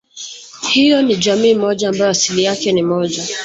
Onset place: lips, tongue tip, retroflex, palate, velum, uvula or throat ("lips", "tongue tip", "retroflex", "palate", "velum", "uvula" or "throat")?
throat